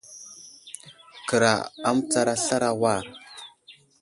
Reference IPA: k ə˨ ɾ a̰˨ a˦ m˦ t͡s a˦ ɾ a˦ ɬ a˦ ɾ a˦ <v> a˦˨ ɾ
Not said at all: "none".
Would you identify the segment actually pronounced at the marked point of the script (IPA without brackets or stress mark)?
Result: w